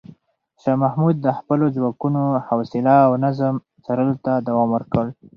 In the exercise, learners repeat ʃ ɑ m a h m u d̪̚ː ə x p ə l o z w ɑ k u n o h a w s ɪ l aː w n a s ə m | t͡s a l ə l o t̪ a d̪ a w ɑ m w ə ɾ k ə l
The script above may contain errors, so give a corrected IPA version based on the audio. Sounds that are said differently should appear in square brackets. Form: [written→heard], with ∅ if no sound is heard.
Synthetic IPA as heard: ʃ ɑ m a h m u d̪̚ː ə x p ə l o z w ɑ k u n o h a w s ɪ l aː w n a [s→z] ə m | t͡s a [l→ɾ] ə l o t̪ a d̪ a w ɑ m w ə ɾ k ə l